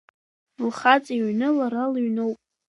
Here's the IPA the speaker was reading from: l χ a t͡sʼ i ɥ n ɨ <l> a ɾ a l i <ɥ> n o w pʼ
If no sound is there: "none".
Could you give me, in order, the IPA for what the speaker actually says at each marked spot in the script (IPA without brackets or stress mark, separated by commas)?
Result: l, ɥ